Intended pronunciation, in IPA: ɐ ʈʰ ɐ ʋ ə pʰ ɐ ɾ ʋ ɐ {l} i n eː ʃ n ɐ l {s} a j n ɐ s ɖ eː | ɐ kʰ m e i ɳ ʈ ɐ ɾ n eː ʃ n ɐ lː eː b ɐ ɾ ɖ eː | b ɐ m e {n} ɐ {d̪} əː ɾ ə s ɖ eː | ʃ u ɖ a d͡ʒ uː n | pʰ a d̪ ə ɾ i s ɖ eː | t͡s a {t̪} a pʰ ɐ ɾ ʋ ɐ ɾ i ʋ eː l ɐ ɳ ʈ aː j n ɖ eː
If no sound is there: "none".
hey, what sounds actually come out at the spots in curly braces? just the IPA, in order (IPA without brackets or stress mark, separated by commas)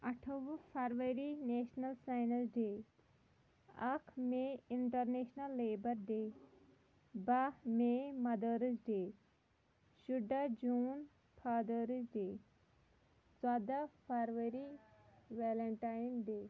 ɾ, s, m, d̪, d̪